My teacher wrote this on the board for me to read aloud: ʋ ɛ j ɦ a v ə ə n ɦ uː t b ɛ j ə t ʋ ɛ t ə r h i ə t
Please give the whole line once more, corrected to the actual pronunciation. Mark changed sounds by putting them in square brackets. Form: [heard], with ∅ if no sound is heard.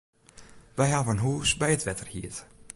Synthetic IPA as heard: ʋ ɛ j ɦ a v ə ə n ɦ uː [s] b ɛ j ə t ʋ ɛ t ə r h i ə t